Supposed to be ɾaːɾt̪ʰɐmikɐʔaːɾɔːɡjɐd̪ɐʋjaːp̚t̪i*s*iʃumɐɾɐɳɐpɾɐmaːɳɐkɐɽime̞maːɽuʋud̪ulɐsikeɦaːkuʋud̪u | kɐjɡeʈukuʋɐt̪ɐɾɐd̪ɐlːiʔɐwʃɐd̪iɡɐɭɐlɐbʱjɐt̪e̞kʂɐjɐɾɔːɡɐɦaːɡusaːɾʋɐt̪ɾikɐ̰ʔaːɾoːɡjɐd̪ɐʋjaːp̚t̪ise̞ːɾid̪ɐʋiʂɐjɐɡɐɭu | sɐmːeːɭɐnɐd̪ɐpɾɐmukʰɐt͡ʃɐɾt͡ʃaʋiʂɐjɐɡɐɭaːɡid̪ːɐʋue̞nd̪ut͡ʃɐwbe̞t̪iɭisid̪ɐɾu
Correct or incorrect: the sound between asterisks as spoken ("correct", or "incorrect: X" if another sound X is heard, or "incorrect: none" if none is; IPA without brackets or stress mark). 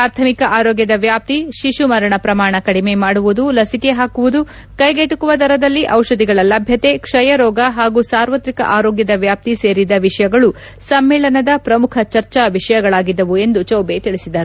incorrect: ʃ